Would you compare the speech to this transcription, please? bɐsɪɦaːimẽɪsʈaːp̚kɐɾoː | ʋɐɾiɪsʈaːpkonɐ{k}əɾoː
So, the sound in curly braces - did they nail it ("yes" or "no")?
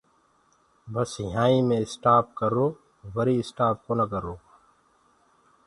yes